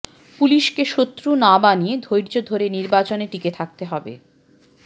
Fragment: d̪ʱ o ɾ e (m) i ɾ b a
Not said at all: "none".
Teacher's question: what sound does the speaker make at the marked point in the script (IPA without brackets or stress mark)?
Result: n